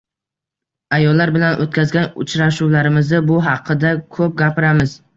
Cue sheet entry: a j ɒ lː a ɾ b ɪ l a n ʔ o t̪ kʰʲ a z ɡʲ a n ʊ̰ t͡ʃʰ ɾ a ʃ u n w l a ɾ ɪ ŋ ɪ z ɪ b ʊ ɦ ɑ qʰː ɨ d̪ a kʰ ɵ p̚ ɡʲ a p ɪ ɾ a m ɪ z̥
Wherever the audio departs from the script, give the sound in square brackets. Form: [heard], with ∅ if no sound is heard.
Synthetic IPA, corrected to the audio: a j ɒ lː a ɾ b ɪ l a n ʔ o t̪ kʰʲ a z ɡʲ a n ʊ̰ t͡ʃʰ ɾ a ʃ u [∅] w l a ɾ ɪ [m] ɪ z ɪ b ʊ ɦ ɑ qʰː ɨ d̪ a kʰ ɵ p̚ ɡʲ a p ɪ ɾ a m ɪ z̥